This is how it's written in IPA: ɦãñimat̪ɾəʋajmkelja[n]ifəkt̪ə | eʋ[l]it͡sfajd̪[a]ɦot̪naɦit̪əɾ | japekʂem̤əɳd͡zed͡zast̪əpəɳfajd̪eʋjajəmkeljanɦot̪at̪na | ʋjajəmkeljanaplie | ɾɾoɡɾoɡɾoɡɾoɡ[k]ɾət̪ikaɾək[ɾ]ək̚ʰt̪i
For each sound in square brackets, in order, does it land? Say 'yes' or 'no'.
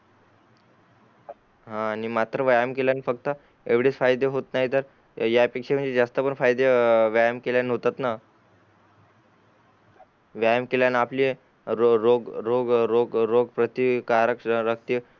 yes, no, no, no, yes

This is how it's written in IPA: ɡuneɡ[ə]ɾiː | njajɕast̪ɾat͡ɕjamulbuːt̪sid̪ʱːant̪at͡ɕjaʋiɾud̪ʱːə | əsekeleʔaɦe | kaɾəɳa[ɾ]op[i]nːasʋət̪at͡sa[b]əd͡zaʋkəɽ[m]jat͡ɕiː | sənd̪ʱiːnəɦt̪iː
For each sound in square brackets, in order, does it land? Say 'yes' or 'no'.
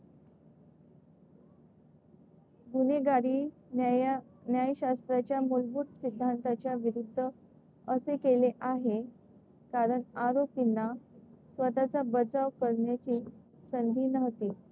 no, yes, yes, yes, no

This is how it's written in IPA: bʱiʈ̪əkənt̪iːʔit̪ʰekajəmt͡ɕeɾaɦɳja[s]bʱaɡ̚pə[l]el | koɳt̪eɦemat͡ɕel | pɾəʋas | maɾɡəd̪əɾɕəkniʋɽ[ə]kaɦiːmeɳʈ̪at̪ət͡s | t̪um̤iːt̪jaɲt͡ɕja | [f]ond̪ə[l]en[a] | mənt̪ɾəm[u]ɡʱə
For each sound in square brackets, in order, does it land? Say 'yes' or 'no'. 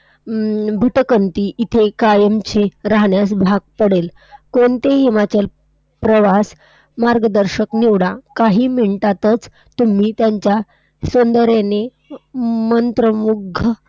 yes, no, no, no, no, no, yes

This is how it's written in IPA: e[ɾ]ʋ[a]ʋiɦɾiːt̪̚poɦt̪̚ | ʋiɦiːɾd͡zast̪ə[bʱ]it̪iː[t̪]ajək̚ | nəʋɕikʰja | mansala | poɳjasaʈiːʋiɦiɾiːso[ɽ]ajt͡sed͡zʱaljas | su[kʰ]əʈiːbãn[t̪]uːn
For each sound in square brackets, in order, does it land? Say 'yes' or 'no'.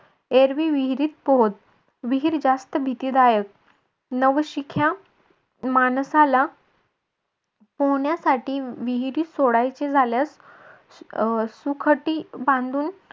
yes, no, yes, no, yes, yes, no

